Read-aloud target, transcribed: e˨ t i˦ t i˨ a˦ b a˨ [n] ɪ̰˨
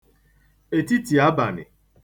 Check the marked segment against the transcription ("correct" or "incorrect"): correct